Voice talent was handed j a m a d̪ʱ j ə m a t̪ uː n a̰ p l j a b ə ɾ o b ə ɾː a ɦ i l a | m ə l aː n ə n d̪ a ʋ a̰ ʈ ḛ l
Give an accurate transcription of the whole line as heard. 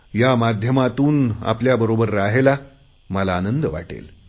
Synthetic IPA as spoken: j a m a d̪ʱ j ə m a t̪ uː n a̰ p l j a b ə ɾ o b ə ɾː a ɦ e l a | m ə l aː n ə n d̪ ə ʋ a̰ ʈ ḛ l